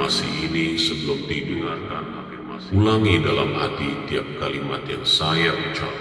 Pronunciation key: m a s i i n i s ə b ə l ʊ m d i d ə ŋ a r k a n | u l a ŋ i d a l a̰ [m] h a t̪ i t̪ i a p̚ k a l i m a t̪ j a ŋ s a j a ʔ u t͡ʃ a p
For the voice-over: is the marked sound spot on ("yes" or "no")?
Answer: yes